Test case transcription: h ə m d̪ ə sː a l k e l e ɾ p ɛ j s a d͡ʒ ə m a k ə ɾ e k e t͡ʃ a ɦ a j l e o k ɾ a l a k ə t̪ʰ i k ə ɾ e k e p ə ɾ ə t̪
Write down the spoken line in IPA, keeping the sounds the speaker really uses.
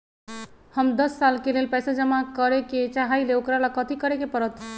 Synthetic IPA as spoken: h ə m d̪ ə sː a l k e l e l p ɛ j s a d͡ʒ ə m a k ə ɾ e k e t͡ʃ a ɦ a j l e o k ɾ a l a k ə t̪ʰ i k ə ɾ e k e p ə ɾ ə t̪

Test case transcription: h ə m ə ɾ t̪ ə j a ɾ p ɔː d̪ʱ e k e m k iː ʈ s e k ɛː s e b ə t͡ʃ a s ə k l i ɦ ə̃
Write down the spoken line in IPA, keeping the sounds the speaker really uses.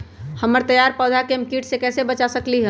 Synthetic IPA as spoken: h ə m ə ɾ t̪ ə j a ɾ p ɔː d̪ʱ a k e m k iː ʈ s e k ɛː s e b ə t͡ʃ a s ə k l i ɦ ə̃

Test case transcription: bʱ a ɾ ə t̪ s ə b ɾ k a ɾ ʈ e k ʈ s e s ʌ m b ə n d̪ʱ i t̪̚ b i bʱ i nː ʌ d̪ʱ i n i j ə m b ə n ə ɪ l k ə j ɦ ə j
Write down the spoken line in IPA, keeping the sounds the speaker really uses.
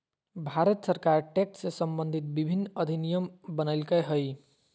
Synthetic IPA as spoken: bʱ a ɾ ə t̪ s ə ɾ k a ɾ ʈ e k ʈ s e s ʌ m b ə n d̪ʱ i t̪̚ b i bʱ i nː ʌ d̪ʱ i n i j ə m b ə n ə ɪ l k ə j ɦ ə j

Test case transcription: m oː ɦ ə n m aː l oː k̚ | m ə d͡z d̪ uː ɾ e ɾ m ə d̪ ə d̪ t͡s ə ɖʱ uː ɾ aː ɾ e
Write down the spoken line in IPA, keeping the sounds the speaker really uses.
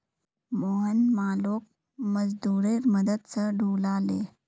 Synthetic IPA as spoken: m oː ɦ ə n m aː l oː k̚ | m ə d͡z d̪ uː ɾ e ɾ m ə d̪ ə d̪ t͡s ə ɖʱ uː l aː l e

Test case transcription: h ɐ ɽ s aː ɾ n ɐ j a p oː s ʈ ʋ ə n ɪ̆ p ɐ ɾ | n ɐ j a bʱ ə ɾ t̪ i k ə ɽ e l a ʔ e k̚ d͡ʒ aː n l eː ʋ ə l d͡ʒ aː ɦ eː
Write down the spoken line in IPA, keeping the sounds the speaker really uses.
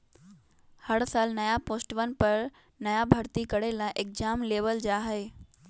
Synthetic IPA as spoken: h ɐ ɽ s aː l n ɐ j a p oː s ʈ ʋ ə n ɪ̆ p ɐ ɾ | n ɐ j a bʱ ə ɾ t̪ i k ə ɽ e l a ʔ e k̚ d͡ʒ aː m l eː ʋ ə l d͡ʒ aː ɦ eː

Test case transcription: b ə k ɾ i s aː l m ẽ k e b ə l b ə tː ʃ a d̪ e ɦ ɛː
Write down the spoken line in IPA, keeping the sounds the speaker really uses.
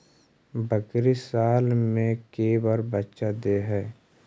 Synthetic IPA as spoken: b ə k ɾ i s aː l m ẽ k e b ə ɾ b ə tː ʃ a d̪ e ɦ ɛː

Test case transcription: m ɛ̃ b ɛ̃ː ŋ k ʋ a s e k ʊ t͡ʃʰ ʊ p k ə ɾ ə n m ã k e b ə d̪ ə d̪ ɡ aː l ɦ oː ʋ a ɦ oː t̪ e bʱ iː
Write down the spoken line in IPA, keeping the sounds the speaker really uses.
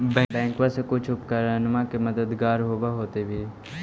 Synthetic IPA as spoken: b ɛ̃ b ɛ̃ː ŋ k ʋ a s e k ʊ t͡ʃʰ ʊ p k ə ɾ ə n m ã k e m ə d̪ ə d̪ ɡ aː ɾ ɦ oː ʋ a ɦ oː t̪ e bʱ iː

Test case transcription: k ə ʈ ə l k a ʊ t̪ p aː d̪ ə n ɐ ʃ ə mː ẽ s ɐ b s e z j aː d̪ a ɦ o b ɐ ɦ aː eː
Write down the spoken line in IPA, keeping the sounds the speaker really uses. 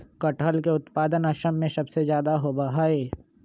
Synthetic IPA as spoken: k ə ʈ ə l k e ʊ t̪ p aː d̪ ə n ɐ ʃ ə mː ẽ s ɐ b s e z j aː d̪ a ɦ o b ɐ ɦ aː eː

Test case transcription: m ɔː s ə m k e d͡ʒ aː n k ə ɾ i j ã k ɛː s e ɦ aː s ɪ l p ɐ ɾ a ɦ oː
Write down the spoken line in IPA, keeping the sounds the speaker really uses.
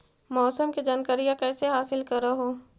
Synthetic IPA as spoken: m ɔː s ə m k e d͡ʒ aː n k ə ɾ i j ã k ɛː s e ɦ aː s ɪ l k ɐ ɾ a ɦ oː

